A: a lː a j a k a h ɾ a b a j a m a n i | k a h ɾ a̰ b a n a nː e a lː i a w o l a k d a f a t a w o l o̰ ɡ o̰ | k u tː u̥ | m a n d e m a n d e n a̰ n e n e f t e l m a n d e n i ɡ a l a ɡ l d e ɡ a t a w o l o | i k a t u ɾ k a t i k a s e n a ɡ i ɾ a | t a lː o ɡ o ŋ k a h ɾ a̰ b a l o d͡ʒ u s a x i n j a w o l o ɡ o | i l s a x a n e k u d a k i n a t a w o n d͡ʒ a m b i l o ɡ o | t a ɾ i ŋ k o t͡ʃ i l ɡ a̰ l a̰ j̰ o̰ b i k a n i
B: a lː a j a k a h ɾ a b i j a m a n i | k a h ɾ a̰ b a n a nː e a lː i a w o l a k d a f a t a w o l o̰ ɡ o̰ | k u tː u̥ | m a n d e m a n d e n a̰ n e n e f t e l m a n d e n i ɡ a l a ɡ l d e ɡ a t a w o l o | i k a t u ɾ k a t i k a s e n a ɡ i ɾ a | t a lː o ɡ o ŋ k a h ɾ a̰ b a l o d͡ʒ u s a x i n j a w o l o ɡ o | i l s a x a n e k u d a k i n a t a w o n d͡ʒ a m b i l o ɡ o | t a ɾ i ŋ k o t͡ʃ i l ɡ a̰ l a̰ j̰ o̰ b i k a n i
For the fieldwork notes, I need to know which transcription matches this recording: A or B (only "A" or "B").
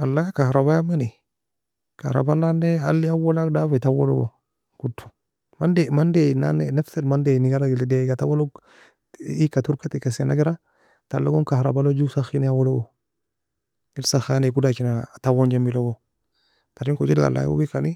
A